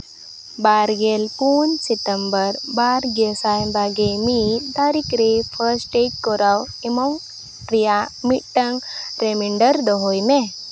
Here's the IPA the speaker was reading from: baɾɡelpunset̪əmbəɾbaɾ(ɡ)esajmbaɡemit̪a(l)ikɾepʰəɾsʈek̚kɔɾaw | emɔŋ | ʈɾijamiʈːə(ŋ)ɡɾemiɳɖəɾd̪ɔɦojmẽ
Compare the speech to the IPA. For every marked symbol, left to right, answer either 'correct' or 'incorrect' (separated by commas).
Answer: correct, incorrect, correct